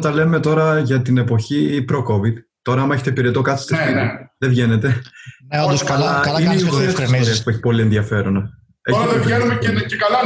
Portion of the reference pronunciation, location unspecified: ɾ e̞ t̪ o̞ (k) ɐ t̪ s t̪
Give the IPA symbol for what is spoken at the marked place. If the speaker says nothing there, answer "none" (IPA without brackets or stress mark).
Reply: k